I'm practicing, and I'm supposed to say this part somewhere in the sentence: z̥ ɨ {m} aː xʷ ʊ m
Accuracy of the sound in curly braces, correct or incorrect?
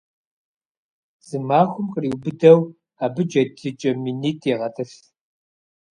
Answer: correct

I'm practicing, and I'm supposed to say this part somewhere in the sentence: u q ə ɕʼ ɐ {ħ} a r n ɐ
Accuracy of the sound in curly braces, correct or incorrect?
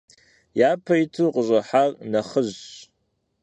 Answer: correct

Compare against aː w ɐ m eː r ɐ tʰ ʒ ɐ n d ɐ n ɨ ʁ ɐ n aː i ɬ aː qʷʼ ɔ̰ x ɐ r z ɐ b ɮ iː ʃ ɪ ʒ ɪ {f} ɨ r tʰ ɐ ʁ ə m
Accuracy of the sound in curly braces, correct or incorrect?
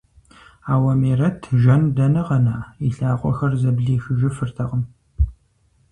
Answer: correct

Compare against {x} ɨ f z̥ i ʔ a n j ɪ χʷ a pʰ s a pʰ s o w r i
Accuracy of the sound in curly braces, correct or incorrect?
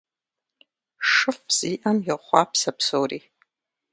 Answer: incorrect: ʂ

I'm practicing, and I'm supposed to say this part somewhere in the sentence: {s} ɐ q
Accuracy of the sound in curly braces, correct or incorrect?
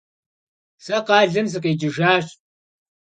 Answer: correct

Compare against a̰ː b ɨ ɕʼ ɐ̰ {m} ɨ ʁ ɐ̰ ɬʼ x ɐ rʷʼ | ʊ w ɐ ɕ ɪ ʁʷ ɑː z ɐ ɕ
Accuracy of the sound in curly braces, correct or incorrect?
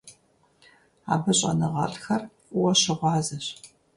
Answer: incorrect: n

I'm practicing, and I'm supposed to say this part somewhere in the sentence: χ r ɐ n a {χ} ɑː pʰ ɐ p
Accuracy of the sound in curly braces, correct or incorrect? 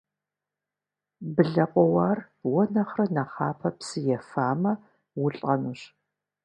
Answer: correct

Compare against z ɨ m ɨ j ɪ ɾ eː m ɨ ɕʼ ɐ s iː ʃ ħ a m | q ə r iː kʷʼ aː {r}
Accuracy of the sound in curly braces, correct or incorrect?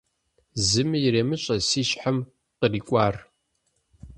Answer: correct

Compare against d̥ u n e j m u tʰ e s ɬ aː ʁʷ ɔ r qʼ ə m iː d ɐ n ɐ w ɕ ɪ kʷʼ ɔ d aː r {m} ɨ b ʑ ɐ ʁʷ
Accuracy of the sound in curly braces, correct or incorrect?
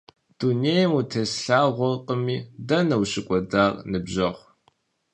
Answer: incorrect: n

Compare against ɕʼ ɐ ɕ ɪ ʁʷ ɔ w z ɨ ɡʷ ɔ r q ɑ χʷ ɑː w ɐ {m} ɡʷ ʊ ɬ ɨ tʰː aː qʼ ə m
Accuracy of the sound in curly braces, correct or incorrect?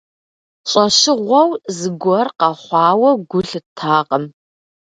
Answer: incorrect: none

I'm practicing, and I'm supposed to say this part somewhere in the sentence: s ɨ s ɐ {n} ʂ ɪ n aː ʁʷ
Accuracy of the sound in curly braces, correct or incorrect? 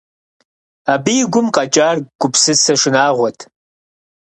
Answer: incorrect: none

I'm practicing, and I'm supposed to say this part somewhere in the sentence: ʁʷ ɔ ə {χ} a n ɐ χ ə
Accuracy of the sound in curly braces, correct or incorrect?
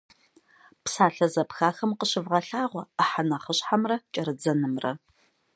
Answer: incorrect: ħ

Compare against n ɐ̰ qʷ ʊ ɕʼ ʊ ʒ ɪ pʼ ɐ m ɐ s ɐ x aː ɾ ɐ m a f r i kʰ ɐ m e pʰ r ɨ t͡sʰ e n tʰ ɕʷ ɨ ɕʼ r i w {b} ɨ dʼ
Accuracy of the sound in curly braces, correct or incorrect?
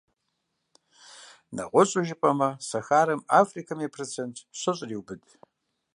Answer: correct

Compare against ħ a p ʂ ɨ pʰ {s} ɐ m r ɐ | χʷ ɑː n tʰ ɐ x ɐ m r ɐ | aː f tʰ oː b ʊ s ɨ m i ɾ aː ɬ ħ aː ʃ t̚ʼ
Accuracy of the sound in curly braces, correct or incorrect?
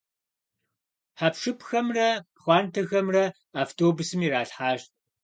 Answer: incorrect: x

